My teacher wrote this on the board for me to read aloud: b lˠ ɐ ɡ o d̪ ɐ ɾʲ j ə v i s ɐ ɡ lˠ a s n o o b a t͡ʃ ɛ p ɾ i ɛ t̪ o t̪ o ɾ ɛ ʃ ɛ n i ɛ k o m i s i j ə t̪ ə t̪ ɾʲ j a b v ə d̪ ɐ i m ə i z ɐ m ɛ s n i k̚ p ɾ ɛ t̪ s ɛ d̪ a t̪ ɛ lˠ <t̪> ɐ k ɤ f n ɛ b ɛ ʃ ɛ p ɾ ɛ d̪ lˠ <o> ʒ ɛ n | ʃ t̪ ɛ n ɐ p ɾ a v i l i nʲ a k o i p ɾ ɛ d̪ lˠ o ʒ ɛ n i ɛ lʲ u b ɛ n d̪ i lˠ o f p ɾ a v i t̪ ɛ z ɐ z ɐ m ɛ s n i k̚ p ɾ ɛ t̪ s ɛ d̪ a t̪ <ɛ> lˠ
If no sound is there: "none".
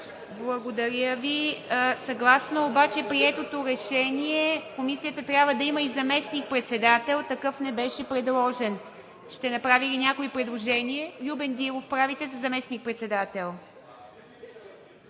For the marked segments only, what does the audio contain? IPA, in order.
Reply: t̪, ɔ, ɛ

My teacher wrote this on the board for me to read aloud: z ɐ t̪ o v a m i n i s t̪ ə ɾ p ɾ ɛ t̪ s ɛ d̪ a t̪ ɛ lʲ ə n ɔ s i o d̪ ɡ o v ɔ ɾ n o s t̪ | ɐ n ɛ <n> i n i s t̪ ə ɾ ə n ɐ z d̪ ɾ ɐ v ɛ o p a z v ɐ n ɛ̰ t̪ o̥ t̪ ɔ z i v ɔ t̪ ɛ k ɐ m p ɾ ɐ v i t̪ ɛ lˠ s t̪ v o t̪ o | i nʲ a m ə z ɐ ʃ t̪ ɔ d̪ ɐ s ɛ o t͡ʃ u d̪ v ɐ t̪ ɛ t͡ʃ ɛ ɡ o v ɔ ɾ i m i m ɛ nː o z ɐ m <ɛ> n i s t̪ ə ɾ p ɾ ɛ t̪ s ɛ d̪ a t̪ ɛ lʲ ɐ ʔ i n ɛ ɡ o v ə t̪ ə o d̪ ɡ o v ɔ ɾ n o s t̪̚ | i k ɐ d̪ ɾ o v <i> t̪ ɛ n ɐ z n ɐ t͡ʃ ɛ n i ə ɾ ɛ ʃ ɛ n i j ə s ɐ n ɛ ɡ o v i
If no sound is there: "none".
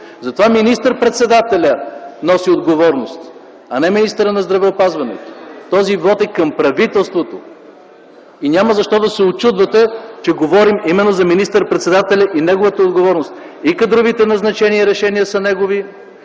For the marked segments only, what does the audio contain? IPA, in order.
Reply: m, i, i

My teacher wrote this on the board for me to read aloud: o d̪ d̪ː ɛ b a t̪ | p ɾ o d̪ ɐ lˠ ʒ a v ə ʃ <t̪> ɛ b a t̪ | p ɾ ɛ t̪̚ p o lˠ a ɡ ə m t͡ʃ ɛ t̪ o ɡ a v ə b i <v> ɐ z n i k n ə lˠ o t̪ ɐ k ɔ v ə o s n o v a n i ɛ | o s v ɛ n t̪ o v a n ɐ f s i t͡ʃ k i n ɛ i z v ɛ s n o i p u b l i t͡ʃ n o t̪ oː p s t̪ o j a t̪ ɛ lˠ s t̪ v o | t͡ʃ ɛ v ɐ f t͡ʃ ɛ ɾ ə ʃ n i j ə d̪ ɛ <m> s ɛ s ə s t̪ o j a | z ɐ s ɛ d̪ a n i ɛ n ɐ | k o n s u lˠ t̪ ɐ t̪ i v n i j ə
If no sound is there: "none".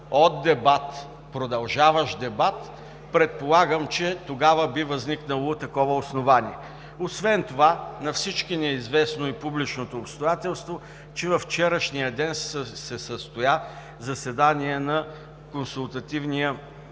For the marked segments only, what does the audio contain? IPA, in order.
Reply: d̪, v, n

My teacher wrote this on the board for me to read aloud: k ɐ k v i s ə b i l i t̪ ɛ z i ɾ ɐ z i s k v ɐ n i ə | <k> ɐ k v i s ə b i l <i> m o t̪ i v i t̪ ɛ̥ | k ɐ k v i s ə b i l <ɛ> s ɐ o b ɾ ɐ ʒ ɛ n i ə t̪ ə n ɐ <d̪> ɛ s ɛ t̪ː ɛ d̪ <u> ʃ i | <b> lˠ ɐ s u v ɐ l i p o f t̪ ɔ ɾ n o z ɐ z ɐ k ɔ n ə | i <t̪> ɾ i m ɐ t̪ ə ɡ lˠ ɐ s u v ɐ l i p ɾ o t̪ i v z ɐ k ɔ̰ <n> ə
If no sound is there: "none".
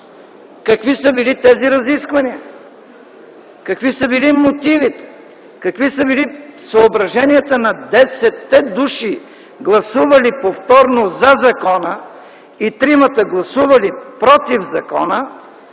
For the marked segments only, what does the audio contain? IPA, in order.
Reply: k, i, i, d̪, u, ɡ, t̪, n

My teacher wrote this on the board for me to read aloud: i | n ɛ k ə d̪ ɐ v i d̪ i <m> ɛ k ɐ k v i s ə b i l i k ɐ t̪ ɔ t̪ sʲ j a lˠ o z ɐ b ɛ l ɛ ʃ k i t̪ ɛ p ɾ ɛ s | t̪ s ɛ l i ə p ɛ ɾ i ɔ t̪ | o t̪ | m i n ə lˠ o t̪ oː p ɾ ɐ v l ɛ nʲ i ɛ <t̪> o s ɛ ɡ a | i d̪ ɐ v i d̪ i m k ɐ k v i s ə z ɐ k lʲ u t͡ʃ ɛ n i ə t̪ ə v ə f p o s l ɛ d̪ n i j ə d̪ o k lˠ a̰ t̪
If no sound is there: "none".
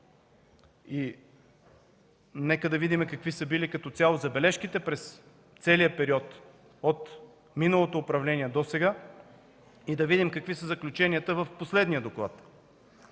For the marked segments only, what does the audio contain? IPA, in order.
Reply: m, d̪

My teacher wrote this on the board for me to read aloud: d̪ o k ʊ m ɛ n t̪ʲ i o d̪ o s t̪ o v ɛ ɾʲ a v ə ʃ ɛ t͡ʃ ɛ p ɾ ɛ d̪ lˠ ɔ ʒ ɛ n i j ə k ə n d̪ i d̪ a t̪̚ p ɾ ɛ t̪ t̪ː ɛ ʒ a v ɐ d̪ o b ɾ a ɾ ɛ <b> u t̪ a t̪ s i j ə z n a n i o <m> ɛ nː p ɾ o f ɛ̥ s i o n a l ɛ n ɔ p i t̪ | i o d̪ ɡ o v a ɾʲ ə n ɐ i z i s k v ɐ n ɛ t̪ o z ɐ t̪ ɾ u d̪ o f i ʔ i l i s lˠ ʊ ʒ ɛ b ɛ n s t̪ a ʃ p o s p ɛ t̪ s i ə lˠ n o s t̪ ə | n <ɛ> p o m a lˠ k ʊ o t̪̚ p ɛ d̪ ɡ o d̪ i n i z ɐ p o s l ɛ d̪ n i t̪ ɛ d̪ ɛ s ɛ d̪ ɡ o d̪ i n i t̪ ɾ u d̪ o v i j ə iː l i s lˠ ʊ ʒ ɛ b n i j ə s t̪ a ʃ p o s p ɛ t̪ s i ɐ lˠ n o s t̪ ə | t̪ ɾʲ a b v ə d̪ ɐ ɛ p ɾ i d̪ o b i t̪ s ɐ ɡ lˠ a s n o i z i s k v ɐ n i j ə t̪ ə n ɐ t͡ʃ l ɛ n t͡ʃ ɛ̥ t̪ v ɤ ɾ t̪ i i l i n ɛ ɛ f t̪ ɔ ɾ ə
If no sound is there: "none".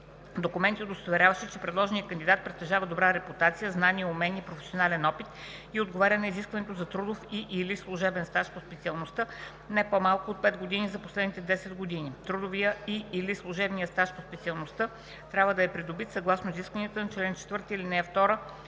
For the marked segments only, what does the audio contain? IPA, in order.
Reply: p, m, ɛ

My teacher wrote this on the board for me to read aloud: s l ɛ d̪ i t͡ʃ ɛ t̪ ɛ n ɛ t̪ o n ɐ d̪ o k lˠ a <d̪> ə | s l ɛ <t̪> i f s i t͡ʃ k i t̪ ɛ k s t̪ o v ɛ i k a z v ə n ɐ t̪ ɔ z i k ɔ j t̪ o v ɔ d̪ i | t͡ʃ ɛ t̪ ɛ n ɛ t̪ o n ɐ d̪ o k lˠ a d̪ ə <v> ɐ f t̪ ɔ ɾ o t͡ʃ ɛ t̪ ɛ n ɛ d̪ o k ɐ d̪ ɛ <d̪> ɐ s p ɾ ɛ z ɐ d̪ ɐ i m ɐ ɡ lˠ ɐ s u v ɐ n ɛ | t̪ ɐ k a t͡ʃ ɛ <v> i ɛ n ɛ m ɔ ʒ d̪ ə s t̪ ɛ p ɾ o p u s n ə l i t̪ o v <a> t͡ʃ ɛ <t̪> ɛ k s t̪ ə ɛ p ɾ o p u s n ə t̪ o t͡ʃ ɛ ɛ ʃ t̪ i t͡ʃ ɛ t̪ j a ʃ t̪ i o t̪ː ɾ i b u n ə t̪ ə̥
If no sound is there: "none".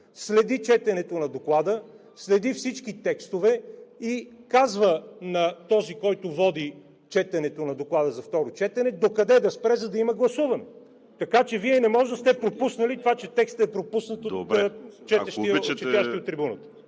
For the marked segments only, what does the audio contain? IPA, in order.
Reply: d̪, d̪, z, d̪, v, a, t̪

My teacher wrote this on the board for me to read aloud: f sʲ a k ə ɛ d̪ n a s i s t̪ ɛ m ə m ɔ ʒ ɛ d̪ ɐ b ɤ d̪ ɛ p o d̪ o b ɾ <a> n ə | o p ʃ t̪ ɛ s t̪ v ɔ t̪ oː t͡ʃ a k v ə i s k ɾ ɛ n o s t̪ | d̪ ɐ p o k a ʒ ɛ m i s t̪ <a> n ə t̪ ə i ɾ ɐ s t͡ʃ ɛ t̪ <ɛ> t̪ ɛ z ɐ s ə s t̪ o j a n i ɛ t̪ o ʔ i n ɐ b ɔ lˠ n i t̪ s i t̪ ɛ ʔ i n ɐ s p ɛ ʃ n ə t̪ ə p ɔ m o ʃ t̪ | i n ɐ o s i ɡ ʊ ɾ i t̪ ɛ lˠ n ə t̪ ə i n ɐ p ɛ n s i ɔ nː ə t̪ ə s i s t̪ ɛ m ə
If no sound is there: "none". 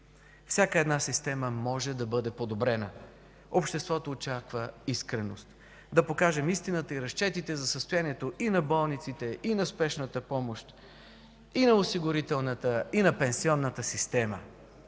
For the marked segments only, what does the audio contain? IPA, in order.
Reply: ɛ, i, i

